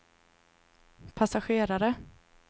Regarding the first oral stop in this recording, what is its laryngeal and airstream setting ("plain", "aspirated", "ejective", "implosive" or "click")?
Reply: aspirated